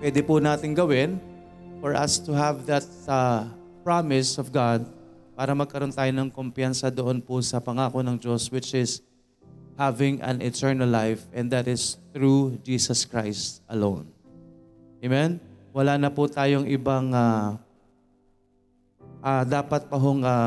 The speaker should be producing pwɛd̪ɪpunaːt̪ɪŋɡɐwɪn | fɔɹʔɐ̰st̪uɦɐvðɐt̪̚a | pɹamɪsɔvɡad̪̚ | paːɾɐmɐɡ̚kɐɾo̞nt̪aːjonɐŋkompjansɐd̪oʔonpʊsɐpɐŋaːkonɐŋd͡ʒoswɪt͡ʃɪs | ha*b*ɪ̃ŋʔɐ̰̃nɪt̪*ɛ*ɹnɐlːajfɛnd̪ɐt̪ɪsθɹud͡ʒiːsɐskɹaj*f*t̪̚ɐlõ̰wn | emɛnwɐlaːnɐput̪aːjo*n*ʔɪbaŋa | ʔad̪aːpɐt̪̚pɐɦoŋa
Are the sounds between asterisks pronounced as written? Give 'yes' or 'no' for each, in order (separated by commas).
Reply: no, yes, no, no